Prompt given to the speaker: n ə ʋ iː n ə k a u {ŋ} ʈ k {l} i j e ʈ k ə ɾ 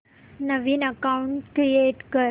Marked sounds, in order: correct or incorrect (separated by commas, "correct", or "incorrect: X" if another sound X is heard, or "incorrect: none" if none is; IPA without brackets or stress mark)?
incorrect: ɳ, incorrect: ɾ